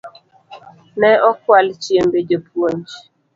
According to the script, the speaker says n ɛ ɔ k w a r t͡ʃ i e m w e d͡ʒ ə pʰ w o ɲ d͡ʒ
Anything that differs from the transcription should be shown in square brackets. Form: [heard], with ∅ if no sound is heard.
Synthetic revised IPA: n ɛ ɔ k w a [l] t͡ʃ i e m [b] e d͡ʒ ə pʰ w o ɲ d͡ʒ